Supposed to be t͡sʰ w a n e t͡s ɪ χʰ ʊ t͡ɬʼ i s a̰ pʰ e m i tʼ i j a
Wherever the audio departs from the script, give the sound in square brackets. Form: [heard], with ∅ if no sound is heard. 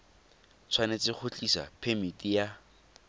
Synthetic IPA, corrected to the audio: t͡sʰ w a n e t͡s ɪ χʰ ʊ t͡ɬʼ i s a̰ pʰ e m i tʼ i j a